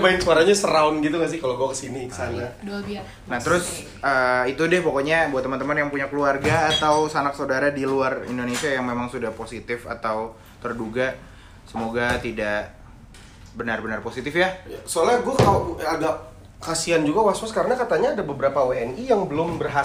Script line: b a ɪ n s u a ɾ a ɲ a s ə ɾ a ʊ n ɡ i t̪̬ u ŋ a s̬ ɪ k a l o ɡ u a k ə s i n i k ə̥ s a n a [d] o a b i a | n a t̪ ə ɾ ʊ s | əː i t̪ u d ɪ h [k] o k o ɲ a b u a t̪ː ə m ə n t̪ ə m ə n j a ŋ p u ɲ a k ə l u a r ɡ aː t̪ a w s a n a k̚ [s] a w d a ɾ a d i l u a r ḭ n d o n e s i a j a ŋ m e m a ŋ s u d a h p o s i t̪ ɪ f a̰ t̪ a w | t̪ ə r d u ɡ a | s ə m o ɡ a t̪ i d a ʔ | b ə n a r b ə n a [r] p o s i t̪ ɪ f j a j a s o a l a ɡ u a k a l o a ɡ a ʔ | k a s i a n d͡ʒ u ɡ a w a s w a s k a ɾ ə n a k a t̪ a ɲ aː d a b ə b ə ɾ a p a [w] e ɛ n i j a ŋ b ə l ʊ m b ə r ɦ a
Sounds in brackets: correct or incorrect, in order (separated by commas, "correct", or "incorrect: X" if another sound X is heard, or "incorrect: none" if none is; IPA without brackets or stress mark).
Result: correct, incorrect: p, correct, correct, correct